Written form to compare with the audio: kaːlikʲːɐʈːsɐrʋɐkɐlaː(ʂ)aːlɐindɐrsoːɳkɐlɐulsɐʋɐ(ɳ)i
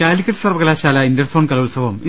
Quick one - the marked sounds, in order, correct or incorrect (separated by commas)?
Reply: incorrect, incorrect